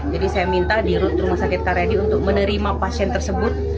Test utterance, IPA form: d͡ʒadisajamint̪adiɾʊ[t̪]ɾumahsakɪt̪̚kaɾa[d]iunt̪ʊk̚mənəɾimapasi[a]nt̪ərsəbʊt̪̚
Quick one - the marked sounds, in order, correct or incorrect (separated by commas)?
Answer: correct, correct, incorrect